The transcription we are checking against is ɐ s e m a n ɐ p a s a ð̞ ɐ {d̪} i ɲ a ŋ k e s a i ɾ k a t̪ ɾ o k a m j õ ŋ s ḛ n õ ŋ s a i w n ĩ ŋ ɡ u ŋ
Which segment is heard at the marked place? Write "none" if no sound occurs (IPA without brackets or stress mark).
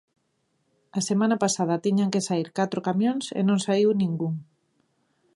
t̪